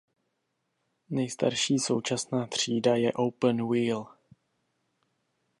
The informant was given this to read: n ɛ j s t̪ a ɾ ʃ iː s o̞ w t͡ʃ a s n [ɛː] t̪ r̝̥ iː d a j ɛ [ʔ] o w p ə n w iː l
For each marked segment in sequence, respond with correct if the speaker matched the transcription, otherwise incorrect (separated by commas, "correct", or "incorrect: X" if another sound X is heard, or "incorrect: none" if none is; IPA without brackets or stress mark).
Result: incorrect: aː, correct